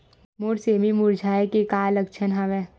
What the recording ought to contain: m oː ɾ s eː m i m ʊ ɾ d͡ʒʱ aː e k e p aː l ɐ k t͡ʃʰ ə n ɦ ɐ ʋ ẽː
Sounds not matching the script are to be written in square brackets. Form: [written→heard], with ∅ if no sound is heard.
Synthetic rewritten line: m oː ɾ s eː m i m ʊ ɾ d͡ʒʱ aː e k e [p→k] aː l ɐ k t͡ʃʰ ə n ɦ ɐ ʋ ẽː